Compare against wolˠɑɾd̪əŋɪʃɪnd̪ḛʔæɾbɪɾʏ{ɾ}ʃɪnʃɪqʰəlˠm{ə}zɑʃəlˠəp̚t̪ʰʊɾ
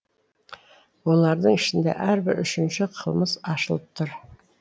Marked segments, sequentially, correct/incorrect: incorrect: none, correct

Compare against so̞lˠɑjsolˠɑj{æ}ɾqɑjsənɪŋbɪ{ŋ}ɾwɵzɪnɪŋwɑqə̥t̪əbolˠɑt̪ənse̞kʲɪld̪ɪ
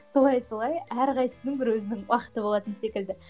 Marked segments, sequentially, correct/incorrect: correct, incorrect: none

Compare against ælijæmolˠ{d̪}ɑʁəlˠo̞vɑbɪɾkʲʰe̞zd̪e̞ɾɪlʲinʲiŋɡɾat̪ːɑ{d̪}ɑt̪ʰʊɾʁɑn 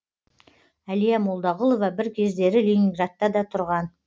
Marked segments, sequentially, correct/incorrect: correct, correct

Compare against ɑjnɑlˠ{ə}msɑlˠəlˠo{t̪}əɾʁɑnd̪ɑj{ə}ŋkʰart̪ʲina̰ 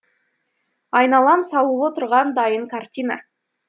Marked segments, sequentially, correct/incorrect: incorrect: ɑ, correct, correct

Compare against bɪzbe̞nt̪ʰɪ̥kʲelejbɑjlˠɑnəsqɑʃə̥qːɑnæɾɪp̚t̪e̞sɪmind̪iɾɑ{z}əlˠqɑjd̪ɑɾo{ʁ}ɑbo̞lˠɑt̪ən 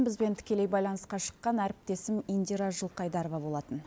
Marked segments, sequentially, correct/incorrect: incorrect: ʒ, incorrect: v

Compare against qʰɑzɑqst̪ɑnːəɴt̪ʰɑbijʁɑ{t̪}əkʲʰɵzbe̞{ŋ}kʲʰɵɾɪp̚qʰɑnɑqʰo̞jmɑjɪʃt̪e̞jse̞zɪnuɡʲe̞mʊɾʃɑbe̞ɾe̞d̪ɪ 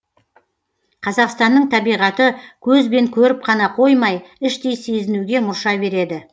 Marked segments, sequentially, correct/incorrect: correct, correct

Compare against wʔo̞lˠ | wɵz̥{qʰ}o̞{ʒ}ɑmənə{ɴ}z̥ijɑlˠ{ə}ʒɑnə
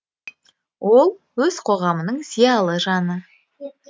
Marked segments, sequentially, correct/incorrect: correct, incorrect: ʁ, correct, correct

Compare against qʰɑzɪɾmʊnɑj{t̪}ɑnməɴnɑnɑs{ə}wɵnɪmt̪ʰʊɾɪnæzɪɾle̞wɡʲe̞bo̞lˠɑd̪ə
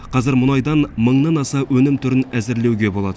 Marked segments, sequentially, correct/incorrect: incorrect: d̪, incorrect: ɑ

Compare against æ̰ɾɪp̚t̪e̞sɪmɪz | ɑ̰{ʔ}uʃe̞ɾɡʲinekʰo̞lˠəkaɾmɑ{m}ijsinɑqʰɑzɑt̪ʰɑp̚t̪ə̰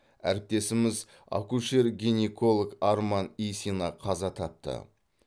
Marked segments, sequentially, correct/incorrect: incorrect: k, incorrect: n

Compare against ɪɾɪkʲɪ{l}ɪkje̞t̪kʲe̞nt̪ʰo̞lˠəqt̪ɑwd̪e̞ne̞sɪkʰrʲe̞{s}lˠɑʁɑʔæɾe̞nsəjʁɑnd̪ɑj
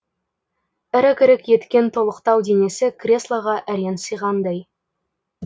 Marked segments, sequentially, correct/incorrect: incorrect: ɾ, correct

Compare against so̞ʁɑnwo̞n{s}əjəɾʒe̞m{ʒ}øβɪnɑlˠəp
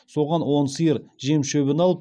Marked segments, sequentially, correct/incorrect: correct, incorrect: ʃ

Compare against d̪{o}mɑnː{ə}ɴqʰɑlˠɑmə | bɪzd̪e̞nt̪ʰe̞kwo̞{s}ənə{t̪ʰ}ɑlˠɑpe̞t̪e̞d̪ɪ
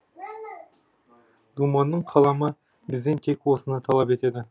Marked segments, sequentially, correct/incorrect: incorrect: u, correct, correct, correct

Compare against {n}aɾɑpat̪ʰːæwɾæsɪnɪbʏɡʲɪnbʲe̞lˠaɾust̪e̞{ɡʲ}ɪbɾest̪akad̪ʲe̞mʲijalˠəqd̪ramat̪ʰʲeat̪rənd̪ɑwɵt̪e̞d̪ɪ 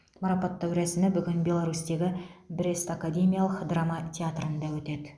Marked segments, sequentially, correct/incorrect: incorrect: m, correct

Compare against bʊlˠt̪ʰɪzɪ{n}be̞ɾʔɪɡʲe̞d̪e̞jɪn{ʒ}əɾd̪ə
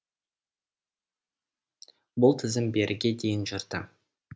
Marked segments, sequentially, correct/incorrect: incorrect: m, correct

